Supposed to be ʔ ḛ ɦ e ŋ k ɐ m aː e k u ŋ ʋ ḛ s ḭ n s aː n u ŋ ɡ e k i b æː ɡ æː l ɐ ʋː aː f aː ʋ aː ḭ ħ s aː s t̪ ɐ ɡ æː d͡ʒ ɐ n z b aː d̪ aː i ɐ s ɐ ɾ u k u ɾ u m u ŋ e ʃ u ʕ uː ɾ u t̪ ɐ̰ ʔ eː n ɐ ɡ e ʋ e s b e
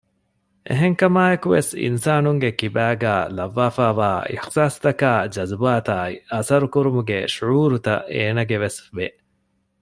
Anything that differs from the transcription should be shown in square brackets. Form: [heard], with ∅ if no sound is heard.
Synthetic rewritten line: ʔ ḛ ɦ e ŋ k ɐ m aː e k u [∅] ʋ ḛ s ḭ n s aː n u ŋ ɡ e k i b æː ɡ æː l ɐ ʋː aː f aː ʋ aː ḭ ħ s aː s t̪ ɐ [k] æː d͡ʒ ɐ [∅] z b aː [t̪] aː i ɐ s ɐ ɾ u k u ɾ u m u [ɡ] e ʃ u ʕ uː ɾ u t̪ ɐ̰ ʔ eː n ɐ ɡ e ʋ e s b e

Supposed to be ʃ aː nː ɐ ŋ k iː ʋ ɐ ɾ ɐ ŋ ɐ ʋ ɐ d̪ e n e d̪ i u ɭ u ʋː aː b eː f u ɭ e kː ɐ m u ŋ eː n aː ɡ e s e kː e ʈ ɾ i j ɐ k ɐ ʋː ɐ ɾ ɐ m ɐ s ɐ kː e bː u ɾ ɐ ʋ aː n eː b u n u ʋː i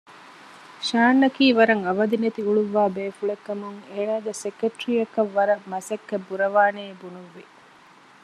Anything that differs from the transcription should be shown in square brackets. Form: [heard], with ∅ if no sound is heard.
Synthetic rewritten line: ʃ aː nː ɐ [∅] k iː ʋ ɐ ɾ ɐ ŋ ɐ ʋ ɐ d̪ [i] n e [t̪] i u ɭ u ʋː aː b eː f u ɭ e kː ɐ m u ŋ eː n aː ɡ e s e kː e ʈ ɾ i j ɐ k ɐ ʋː ɐ ɾ ɐ m ɐ s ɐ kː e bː u ɾ ɐ ʋ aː n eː b u n u ʋː i

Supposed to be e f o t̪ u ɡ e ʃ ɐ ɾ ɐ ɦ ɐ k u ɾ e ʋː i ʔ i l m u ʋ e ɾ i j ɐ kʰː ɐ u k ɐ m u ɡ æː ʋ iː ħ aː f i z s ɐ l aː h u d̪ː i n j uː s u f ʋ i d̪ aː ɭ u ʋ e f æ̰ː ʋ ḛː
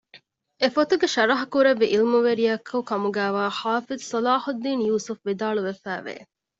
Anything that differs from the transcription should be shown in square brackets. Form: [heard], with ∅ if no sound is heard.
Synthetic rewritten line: e f o t̪ u ɡ e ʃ ɐ ɾ ɐ ɦ ɐ k u ɾ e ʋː i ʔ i l m u ʋ e ɾ i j ɐ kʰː ɐ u k ɐ m u ɡ æː ʋ [aː] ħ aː f i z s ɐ l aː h u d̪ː [iː] n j uː s u f ʋ i d̪ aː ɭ u ʋ e f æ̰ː ʋ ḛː

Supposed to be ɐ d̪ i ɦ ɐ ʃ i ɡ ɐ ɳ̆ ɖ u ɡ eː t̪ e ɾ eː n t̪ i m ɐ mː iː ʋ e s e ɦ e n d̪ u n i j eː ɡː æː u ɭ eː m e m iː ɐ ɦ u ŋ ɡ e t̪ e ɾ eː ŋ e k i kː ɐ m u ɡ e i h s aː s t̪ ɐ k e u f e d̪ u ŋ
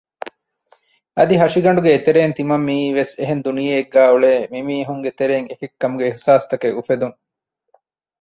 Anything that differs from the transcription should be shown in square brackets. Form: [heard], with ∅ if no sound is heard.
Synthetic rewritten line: ɐ d̪ i ɦ ɐ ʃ i ɡ ɐ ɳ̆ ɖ u ɡ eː t̪ e ɾ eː n t̪ i m ɐ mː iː ʋ e s e ɦ e n d̪ u n i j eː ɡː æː u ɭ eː m [i] m iː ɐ ɦ u ŋ ɡ e t̪ e ɾ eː ŋ e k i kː ɐ m u ɡ e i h s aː s t̪ ɐ k e u f e d̪ u ŋ

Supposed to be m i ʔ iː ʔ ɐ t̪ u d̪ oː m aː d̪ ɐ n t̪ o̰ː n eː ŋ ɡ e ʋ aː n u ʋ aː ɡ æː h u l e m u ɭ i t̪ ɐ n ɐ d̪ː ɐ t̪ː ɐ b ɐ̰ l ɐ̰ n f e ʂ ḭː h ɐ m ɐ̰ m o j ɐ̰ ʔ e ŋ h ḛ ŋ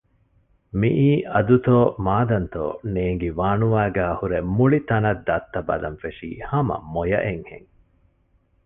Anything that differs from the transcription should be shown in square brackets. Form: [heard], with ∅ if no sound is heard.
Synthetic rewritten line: m i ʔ iː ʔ ɐ [d̪] u [t̪] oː m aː d̪ ɐ n t̪ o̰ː n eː ŋ ɡ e ʋ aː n u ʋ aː ɡ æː h u [ɾ] e m u ɭ i t̪ ɐ n ɐ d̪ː ɐ t̪ː ɐ b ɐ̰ l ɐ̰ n f e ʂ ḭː h ɐ m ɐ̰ m o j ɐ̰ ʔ e ŋ h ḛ ŋ

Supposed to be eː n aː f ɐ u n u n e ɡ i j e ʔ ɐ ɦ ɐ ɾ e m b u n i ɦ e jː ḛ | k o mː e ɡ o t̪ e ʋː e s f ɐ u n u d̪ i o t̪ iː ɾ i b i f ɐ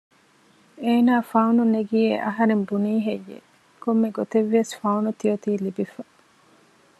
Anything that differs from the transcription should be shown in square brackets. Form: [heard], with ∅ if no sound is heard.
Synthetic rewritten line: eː n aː f ɐ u n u n e ɡ i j e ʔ ɐ ɦ ɐ ɾ e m b u n [iː] ɦ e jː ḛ | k o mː e ɡ o t̪ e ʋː e s f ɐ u n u [t̪] i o t̪ iː [l] i b i f ɐ

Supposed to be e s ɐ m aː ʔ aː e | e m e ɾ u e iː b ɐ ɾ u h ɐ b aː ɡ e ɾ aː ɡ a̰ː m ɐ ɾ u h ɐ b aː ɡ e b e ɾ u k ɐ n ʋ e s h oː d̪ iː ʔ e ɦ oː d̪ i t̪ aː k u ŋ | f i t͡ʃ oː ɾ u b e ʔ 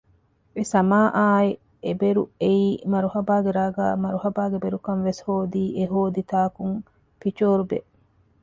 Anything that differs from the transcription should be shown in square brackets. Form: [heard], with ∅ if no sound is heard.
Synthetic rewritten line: e s ɐ m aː ʔ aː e | e [b] e ɾ u e iː [m] ɐ ɾ u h ɐ b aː ɡ e ɾ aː ɡ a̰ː m ɐ ɾ u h ɐ b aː ɡ e b e ɾ u k ɐ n ʋ e s h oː d̪ iː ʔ e ɦ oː d̪ i t̪ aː k u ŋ | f i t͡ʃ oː ɾ u b e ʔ

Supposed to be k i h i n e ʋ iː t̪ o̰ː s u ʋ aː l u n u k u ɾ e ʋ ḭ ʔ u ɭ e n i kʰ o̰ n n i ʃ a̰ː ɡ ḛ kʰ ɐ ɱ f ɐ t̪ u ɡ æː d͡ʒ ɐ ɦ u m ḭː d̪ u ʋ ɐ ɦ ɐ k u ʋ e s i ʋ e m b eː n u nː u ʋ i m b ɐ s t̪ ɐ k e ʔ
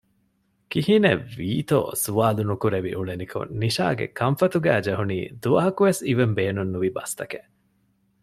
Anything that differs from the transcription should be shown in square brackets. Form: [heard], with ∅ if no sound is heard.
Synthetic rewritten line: k i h i n e ʋ iː t̪ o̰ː s u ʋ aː l u n u k u ɾ e ʋ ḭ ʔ u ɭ e n i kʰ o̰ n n i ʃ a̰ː ɡ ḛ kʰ ɐ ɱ f ɐ t̪ u ɡ æː d͡ʒ ɐ ɦ u [n] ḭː d̪ u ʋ ɐ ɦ ɐ k u ʋ e s i ʋ e m b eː n u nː u ʋ i [∅] b ɐ s t̪ ɐ k e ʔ

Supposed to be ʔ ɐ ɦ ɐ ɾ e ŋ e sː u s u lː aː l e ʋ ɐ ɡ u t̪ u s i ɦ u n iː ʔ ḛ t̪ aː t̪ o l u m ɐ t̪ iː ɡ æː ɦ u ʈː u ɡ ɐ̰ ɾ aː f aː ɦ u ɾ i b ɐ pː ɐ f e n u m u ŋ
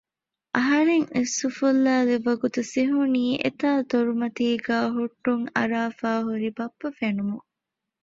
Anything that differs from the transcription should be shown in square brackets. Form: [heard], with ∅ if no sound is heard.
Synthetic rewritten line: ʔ ɐ ɦ ɐ ɾ e ŋ e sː u [f] u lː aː l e ʋ ɐ ɡ u t̪ u s i ɦ u n iː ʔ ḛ t̪ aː t̪ o [ɾ] u m ɐ t̪ iː ɡ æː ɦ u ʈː u [ŋ] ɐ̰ ɾ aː f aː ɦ u ɾ i b ɐ pː ɐ f e n u m u ŋ

